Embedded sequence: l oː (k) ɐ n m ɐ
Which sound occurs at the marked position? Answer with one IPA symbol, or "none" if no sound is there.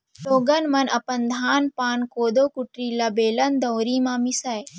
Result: ɡ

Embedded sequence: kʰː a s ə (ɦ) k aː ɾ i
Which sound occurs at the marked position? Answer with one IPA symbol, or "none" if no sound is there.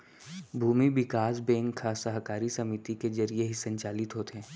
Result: ɦ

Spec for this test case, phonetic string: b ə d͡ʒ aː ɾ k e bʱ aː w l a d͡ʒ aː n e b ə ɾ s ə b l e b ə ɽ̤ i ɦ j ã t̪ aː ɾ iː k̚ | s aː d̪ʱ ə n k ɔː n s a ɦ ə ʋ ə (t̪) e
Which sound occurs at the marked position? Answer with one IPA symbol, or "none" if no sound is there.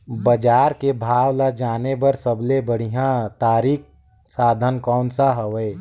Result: none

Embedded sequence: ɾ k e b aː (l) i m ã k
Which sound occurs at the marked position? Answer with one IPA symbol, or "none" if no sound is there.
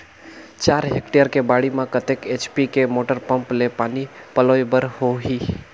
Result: ɽ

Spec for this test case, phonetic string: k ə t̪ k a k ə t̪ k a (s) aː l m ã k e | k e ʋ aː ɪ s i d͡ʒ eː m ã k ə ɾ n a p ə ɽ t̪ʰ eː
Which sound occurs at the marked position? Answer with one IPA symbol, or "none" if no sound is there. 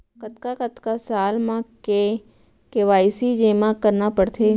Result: s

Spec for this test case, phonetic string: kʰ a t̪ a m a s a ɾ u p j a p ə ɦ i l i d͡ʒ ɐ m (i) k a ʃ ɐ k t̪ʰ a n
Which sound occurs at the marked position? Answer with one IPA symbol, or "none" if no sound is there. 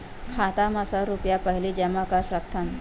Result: a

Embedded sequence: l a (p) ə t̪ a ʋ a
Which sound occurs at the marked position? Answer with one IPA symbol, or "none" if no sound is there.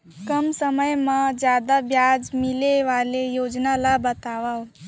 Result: b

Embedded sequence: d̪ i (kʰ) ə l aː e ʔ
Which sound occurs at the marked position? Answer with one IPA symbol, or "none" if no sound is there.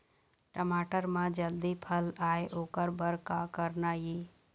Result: pʰ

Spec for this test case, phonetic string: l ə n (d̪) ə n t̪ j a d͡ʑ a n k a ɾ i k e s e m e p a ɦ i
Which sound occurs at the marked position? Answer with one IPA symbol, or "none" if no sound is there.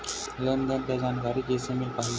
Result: d̪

